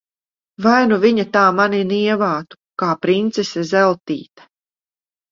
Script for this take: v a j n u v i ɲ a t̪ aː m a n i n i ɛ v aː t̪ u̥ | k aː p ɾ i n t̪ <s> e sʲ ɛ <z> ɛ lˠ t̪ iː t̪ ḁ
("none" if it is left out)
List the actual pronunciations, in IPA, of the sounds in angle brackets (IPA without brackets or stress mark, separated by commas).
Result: s, z